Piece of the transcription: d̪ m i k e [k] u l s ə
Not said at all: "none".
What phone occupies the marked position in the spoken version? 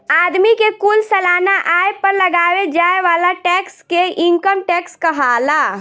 k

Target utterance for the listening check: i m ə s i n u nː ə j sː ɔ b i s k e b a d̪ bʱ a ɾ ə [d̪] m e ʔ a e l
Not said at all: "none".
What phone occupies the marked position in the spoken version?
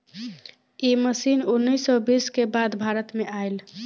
t̪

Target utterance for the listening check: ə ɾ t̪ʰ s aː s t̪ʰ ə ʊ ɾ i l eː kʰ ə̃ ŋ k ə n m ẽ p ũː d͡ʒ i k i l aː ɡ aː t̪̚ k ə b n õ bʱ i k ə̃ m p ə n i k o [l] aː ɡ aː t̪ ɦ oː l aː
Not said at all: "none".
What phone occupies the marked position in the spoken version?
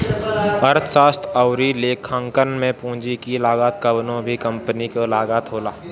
l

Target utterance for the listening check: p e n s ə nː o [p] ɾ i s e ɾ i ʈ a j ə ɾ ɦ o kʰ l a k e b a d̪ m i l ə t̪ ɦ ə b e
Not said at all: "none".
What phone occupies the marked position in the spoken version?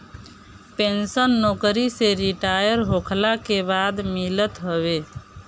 k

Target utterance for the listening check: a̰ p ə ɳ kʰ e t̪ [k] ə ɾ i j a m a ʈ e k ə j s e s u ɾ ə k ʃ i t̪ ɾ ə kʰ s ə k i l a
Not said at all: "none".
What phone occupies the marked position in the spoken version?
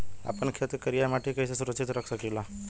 k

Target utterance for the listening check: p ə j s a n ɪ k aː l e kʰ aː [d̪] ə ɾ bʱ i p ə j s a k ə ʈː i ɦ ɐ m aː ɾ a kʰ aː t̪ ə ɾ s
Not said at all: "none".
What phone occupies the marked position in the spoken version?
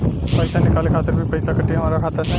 t̪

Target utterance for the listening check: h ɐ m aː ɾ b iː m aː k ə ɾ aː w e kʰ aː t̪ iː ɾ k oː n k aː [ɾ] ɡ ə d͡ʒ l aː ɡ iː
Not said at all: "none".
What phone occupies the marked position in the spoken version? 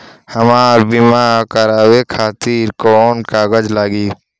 none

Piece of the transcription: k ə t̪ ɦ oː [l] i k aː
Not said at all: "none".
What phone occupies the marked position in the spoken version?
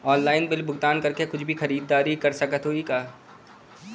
none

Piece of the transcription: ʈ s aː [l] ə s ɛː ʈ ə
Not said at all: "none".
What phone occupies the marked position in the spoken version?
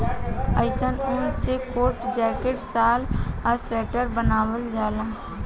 l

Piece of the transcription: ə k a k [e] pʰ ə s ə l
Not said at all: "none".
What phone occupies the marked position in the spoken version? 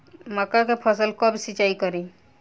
e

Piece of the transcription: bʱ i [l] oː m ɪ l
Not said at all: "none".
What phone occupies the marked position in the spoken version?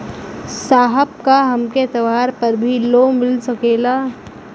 l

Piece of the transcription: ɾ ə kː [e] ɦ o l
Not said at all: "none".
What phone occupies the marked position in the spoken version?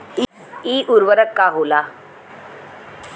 a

